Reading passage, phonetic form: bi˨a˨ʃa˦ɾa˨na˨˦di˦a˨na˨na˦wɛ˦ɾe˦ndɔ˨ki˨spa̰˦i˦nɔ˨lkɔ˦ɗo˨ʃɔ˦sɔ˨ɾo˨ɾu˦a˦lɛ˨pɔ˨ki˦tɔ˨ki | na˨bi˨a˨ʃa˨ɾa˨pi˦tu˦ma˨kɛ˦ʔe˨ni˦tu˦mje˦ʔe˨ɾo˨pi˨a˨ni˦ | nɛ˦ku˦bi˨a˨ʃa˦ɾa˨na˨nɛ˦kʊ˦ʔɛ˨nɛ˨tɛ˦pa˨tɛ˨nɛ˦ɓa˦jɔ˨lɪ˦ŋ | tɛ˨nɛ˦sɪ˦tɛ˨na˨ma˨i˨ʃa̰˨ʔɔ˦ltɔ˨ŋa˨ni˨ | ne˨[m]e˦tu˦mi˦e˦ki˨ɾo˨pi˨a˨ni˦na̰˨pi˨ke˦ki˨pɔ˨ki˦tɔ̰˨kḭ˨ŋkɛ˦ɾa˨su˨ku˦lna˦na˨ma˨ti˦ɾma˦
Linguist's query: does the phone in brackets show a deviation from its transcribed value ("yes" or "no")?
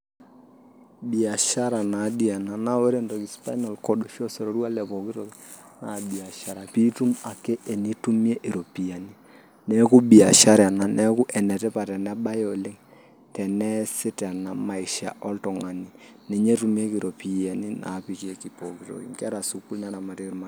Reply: yes